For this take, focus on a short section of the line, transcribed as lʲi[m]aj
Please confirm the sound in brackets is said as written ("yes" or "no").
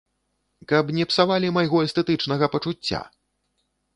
yes